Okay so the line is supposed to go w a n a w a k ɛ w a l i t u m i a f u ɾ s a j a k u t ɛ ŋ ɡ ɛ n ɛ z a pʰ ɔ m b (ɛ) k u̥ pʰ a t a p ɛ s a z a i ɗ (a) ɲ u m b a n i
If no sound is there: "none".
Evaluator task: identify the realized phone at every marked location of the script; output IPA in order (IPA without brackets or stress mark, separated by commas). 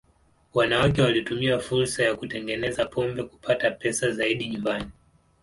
ɛ, i